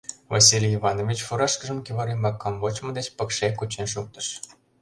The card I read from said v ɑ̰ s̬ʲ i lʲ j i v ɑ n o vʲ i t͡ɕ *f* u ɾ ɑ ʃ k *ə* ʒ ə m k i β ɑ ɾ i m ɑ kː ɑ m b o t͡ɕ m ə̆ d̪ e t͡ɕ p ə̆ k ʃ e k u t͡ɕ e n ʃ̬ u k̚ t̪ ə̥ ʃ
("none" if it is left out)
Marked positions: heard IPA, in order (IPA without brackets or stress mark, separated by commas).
f, ə